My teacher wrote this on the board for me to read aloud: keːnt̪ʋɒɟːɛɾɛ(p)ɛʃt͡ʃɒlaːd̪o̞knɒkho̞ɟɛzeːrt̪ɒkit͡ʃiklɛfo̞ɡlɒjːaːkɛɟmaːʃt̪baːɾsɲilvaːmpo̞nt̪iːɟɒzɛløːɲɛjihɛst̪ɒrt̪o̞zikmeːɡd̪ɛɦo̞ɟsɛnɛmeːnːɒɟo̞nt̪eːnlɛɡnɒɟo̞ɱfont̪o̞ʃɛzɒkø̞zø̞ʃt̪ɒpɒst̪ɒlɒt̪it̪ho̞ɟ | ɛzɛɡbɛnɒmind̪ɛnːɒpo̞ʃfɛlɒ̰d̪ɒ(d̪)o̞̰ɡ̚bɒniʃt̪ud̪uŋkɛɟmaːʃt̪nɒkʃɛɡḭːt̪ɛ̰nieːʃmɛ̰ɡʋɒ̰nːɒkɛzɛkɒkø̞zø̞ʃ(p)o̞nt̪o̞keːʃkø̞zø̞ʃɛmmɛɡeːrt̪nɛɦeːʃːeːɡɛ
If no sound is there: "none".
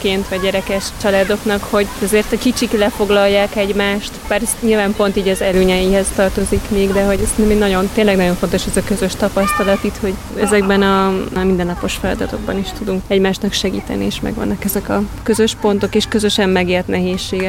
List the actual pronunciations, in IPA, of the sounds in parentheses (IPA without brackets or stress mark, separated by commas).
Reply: k, t̪, p